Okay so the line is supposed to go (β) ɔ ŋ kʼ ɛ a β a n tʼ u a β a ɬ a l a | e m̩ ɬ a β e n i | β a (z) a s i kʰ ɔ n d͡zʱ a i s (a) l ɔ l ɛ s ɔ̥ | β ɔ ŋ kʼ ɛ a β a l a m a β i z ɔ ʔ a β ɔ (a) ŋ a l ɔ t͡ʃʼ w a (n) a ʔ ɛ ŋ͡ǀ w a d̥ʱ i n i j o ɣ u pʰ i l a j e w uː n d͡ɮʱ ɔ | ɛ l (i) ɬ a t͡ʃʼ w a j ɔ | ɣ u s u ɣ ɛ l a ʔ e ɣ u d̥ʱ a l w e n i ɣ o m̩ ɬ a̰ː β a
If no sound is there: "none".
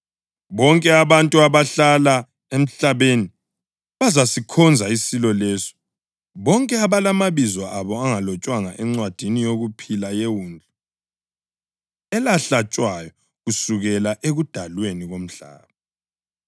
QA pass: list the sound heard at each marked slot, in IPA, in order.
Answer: β, z, i, a, ŋ, a

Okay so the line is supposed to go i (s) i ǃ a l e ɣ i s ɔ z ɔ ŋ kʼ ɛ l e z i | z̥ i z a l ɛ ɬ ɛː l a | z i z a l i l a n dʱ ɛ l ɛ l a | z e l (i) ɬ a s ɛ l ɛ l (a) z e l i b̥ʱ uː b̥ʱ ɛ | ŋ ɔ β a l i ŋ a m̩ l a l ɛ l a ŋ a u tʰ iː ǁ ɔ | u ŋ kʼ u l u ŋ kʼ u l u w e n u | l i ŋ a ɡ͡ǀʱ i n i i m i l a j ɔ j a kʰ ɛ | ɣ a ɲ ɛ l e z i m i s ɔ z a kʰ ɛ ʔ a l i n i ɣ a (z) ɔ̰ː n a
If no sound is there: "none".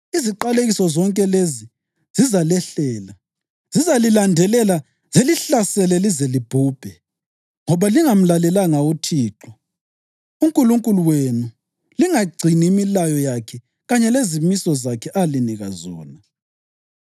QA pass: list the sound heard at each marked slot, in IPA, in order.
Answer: z, i, i, z

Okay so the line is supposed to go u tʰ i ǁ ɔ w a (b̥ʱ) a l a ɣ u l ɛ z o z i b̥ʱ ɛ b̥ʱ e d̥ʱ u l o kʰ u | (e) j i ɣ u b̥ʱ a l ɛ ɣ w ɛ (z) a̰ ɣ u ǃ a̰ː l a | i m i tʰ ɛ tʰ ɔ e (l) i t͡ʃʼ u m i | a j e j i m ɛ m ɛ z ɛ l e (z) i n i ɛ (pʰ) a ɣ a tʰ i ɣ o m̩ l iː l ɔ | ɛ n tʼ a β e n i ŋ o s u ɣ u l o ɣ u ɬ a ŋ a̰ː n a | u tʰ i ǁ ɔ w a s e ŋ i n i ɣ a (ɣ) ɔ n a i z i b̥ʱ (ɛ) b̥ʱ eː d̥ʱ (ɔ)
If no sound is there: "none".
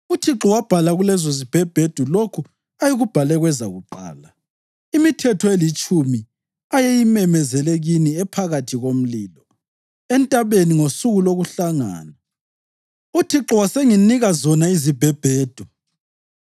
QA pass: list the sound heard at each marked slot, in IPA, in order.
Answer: b̥ʱ, a, z, l, ɣ, pʰ, z, ɛ, u

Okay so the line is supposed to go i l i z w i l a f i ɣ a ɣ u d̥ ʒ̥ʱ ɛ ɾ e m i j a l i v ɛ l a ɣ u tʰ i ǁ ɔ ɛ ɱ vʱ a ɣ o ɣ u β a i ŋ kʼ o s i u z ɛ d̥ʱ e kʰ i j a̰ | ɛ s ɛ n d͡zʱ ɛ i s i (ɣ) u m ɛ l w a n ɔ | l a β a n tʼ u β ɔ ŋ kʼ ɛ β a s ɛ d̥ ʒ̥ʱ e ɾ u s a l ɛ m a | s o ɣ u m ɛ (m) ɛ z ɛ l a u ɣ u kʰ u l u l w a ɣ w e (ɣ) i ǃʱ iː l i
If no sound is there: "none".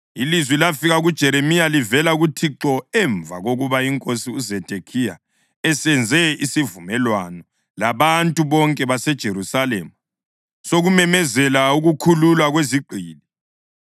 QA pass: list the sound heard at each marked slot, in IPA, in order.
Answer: v, m, z

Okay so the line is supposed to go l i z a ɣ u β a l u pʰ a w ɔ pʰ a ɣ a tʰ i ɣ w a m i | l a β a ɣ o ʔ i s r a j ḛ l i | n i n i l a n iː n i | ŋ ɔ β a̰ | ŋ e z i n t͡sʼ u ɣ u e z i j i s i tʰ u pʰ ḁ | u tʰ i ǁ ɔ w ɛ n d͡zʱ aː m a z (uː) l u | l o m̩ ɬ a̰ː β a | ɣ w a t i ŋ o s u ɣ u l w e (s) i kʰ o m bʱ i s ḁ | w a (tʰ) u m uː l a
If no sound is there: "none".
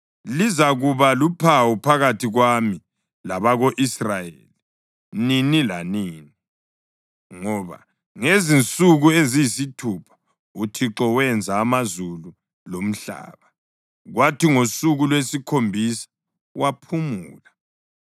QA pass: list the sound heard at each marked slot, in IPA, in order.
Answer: u, s, pʰ

